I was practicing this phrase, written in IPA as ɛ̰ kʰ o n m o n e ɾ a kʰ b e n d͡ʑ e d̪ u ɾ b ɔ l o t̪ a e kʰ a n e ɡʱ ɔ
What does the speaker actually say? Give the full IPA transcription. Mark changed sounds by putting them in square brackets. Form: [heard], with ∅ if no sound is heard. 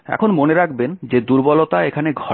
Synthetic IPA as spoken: ɛ̰ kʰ o n m o n e ɾ a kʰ b e n d͡ʑ e d̪ u ɾ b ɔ l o t̪ a e kʰ a n e ɡʱ ɔ

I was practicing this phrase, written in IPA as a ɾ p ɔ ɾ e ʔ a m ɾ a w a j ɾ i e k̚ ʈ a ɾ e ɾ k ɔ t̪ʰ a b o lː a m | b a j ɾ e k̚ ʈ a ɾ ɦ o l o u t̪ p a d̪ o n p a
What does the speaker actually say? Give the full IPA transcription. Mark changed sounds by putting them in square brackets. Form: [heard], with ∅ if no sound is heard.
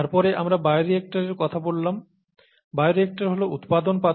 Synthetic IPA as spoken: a ɾ p ɔ ɾ e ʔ a m ɾ a [b] a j ɾ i e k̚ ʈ a ɾ e ɾ k ɔ t̪ʰ a b o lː a m | b a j ɾ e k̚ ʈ a ɾ ɦ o l o u t̪ p a d̪ o n p a

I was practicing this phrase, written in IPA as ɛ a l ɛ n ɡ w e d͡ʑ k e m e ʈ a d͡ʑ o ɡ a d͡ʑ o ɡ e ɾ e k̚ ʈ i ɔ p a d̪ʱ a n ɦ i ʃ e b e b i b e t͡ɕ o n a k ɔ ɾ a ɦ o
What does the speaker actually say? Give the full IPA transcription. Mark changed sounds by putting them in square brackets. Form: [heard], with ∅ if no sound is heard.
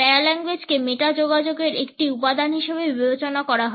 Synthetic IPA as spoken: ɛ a l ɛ [ŋ] ɡ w e d͡ʑ k e m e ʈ a d͡ʑ o ɡ a d͡ʑ o ɡ e ɾ e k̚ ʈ i [u] p a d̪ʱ a n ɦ i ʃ e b e b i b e t͡ɕ o n a k ɔ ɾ a ɦ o

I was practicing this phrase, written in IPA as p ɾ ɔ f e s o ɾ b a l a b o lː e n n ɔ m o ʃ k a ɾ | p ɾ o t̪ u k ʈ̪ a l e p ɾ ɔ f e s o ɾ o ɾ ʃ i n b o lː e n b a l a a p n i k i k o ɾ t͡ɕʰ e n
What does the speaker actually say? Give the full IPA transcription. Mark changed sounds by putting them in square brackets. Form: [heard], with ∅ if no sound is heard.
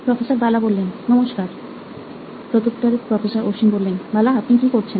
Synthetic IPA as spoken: p ɾ ɔ f e s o ɾ b a l a b o lː e n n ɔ m o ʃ k a ɾ | p ɾ o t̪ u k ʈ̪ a [ɾ] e p ɾ ɔ f e s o ɾ o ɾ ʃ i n b o lː e n b a l a a p n i k i k o ɾ t͡ɕʰ e n

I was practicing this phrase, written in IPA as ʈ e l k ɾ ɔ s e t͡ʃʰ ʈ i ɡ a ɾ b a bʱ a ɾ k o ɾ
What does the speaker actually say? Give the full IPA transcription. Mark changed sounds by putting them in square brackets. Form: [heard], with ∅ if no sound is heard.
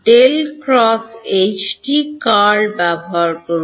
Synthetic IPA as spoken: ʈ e l k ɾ ɔ s e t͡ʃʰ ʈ i [k] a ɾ b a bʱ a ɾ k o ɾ

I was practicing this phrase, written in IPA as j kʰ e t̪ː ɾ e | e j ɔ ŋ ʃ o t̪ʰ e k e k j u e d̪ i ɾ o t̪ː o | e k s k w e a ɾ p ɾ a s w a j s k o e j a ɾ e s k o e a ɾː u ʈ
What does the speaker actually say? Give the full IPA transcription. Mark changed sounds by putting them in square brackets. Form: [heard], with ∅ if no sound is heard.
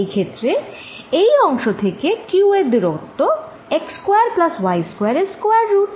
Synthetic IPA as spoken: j kʰ e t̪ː ɾ e | e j ɔ ŋ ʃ o t̪ʰ e k e k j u e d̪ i ɾ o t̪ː o | e k s k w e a ɾ p [l] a s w a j s k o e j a ɾ e s k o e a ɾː u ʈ

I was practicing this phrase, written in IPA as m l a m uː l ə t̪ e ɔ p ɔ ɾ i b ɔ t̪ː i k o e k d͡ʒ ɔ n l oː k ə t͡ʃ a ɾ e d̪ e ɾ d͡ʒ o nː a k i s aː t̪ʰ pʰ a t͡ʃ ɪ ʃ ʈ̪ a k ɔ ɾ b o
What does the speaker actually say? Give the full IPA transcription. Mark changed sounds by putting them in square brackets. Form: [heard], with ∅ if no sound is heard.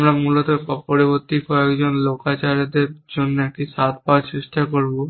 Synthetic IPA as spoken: m [ɾ] a m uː l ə t̪ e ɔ p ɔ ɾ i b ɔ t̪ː i k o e k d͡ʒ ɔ n l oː k [a] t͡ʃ a ɾ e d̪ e ɾ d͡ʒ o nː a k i s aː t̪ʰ [p] a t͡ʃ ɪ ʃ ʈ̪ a k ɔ ɾ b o

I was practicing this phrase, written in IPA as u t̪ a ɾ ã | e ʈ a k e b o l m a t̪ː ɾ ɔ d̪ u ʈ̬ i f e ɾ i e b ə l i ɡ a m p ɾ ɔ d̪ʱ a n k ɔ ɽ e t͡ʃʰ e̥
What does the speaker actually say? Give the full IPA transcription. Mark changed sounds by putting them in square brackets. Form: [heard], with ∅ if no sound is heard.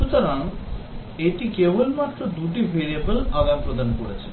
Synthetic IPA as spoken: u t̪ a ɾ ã | e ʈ [i] k e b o l m a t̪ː ɾ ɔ d̪ u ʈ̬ i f e ɾ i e b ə l [a] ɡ a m p ɾ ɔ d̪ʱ a n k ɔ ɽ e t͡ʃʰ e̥

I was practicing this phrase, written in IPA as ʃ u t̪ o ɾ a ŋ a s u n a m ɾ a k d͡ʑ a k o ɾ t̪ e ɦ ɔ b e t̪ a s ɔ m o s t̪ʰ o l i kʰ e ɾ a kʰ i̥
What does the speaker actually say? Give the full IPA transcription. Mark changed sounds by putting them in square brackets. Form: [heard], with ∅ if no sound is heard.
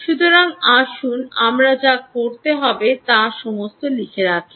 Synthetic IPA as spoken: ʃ u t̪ o ɾ a ŋ a [ʃ] u n a m ɾ a [∅] d͡ʑ a k o ɾ t̪ e ɦ ɔ b e t̪ a [ʃ] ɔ m o s [t̪] o l i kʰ e ɾ a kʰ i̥

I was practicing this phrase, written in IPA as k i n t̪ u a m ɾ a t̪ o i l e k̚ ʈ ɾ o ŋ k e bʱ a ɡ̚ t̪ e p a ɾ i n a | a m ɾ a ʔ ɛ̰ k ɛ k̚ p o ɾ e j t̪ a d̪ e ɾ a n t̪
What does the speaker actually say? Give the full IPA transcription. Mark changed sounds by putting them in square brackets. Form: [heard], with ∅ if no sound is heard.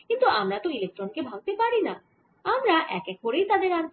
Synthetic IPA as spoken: k i n t̪ u a m ɾ a t̪ o i l e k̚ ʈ ɾ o [n] k e bʱ a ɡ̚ t̪ e p a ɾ i n a | a m ɾ a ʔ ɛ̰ k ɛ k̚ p o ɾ e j t̪ a d̪ e ɾ a n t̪

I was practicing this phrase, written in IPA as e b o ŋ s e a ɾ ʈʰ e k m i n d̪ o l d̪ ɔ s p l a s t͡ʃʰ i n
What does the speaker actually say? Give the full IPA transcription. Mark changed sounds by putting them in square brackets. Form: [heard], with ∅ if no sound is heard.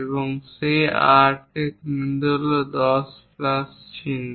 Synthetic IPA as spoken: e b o ŋ s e a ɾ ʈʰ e k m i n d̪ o l d̪ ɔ s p l a s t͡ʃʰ i n

